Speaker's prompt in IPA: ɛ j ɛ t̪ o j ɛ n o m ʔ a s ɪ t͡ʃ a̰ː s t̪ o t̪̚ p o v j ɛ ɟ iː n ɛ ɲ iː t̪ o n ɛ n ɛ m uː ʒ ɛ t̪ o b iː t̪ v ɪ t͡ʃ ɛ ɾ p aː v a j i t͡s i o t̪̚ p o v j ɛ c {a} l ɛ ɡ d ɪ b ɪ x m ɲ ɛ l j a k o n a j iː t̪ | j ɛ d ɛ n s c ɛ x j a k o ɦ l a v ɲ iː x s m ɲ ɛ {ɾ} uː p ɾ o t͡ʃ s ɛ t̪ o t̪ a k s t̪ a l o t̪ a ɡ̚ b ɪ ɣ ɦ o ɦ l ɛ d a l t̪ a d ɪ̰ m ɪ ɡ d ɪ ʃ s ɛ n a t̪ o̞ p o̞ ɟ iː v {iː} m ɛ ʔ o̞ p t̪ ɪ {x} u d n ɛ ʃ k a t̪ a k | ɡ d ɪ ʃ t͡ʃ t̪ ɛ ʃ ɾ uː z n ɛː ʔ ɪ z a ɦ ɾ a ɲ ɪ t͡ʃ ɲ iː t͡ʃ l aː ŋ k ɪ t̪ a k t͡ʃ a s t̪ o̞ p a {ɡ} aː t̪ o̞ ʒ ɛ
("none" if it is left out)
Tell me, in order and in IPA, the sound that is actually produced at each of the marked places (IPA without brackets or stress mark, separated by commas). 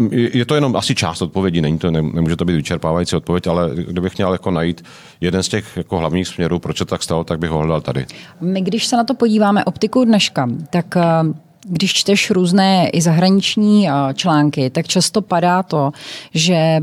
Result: a, ɾ, aː, k, d